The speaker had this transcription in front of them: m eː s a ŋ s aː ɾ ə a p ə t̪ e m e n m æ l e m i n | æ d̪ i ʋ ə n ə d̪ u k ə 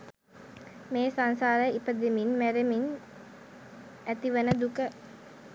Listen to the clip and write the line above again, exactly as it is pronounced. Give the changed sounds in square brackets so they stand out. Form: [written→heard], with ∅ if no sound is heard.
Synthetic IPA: m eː s a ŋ s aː ɾ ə [a→i] p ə [t̪→d̪] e m [e→i] n m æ [l→ɾ] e m i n | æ [d̪→t̪] i ʋ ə n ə d̪ u k ə